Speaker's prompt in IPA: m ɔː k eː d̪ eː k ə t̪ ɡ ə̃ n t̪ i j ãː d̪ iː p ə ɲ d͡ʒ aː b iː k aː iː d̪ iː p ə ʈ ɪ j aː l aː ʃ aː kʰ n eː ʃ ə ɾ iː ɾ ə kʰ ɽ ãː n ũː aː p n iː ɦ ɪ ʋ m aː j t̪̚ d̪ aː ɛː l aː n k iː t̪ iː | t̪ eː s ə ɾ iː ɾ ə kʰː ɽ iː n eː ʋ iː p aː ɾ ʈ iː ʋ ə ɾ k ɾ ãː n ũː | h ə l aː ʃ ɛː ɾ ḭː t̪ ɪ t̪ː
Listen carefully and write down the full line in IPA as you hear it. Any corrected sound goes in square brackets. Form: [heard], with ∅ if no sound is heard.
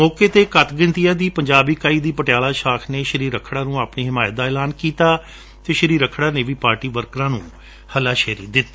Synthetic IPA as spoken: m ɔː k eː [t̪] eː k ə t̪ ɡ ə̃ n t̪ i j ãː d̪ iː p ə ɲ d͡ʒ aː b iː k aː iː d̪ iː p ə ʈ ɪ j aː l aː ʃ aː kʰ n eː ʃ ə ɾ iː ɾ ə kʰ ɽ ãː n ũː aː p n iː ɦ ɪ [∅] m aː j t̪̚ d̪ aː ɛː l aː n k iː t̪ [aː] | t̪ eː [ʃ] ə ɾ iː ɾ ə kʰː ɽ [aː] n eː ʋ iː p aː ɾ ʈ iː ʋ ə ɾ k ɾ ãː n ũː | h ə l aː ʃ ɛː ɾ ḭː [d̪] ɪ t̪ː

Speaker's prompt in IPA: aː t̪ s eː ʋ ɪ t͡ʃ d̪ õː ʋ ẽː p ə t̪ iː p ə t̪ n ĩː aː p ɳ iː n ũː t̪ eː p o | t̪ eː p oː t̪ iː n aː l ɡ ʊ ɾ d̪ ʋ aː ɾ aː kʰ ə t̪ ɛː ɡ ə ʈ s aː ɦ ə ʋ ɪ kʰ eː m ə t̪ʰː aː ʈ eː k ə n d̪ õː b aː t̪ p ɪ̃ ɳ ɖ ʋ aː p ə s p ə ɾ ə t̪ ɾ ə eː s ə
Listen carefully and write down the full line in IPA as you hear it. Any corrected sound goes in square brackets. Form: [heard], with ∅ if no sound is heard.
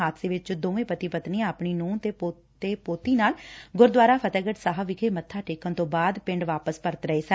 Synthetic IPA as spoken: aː t̪ s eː ʋ ɪ t͡ʃ d̪ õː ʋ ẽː p ə t̪ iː p ə t̪ n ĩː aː p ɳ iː n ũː t̪ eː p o | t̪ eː p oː t̪ iː n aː l ɡ ʊ ɾ d̪ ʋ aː ɾ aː [pʰ] ə t̪ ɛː ɡ ə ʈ s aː ɦ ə ʋ ɪ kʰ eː m ə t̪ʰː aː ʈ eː k ə n [t̪] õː b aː [d̪] p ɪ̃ ɳ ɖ ʋ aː p ə s p ə ɾ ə t̪ ɾ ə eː s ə

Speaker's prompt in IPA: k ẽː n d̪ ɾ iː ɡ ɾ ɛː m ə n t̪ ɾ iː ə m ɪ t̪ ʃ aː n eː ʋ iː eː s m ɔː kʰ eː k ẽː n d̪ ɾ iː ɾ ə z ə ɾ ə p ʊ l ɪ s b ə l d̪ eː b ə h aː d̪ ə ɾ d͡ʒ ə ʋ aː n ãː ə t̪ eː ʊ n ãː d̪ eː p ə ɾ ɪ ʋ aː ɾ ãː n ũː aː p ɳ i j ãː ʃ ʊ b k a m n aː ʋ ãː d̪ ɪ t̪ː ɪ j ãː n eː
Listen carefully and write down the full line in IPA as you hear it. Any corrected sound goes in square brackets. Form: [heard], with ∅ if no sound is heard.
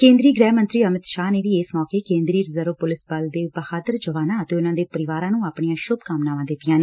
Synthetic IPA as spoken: k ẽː n d̪ ɾ iː ɡ ɾ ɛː m ə n t̪ ɾ iː ə m ɪ t̪ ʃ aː n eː ʋ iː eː s m ɔː [k] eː k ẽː n d̪ ɾ iː ɾ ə z ə ɾ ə p ʊ l ɪ s b ə l d̪ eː b ə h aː d̪ ə ɾ d͡ʒ ə ʋ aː n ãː ə t̪ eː ʊ n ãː d̪ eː p ə ɾ ɪ ʋ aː ɾ ãː n ũː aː p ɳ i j ãː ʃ ʊ b k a m n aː ʋ ãː d̪ ɪ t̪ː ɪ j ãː n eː

